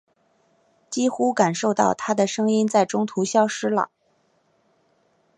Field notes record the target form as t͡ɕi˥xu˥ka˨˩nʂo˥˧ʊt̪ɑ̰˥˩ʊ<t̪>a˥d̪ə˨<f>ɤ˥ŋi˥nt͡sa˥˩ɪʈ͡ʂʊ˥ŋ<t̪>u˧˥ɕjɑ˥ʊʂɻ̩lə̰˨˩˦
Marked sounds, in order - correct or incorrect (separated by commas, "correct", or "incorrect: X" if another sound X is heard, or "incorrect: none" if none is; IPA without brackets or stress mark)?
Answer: incorrect: t̪ʰ, incorrect: ʂ, incorrect: t̪ʰ